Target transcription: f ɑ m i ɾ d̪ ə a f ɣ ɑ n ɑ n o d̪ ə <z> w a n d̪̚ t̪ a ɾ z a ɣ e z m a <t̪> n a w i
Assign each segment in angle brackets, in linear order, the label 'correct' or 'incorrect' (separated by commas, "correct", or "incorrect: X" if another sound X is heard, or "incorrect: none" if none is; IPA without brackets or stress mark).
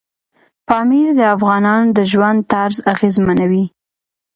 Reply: incorrect: ʒ, incorrect: none